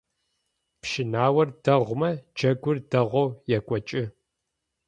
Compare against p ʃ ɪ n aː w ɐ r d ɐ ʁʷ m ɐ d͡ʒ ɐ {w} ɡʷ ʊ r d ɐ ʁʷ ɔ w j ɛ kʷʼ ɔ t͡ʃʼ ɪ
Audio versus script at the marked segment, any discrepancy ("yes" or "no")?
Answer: yes